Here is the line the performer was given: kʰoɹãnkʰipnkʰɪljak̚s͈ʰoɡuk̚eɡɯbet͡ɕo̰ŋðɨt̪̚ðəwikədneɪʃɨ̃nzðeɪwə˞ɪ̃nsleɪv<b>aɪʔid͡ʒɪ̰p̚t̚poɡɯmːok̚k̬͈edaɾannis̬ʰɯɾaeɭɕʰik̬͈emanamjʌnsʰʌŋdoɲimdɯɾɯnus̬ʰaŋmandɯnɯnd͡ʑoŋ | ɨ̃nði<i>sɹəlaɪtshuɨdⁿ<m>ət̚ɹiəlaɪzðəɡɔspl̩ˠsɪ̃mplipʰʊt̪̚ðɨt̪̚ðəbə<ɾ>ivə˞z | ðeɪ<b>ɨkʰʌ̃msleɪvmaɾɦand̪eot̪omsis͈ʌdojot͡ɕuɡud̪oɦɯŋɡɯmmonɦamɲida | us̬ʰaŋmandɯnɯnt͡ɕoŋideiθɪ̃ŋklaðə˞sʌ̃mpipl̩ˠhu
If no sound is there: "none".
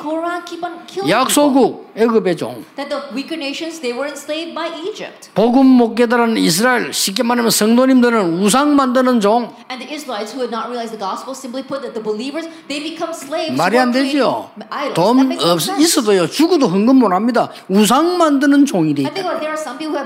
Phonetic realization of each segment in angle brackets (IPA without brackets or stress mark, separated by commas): b, ɪ, n, l, b